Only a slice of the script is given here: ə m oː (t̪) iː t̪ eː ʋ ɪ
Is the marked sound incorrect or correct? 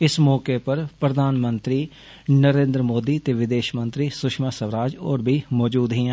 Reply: incorrect